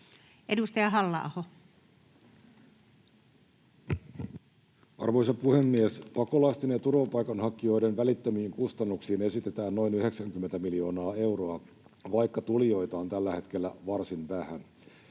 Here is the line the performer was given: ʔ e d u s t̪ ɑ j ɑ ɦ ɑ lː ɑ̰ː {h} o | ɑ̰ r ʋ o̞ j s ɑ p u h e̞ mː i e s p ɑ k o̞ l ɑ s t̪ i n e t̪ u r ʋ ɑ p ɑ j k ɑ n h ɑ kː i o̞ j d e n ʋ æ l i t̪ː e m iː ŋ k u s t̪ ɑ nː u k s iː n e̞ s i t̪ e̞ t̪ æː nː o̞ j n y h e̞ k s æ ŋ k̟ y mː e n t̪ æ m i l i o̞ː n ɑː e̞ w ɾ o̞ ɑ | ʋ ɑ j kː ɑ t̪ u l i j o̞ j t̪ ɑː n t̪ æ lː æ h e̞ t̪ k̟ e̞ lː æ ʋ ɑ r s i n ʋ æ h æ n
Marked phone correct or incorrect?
correct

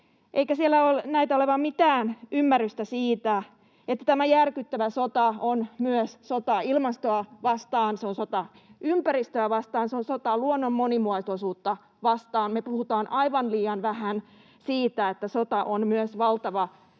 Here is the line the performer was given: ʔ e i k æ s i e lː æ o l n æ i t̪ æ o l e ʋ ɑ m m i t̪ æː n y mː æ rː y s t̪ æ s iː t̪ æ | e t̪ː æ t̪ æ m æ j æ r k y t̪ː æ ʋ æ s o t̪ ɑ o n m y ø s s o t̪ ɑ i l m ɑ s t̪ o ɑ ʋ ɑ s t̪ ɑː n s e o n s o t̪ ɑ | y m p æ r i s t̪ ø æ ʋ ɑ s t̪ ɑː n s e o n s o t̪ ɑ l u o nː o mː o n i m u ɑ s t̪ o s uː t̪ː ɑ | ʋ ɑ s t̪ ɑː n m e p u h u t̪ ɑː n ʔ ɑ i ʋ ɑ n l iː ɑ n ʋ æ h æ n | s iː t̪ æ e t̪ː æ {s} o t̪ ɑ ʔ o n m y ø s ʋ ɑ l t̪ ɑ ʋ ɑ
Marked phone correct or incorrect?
correct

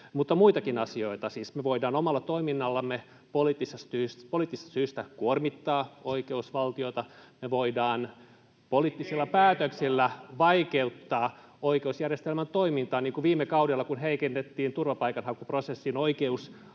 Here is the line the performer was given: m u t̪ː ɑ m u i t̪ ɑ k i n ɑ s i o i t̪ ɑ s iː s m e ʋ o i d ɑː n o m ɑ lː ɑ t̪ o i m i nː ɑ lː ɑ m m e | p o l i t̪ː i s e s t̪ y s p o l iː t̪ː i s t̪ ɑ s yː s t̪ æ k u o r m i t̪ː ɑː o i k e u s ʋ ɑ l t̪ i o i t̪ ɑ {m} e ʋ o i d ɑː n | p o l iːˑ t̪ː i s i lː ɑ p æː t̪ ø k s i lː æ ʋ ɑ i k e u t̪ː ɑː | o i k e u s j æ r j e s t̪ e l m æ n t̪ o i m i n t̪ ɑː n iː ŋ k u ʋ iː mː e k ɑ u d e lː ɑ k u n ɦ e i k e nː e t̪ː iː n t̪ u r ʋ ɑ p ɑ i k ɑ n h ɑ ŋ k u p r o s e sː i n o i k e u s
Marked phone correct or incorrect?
correct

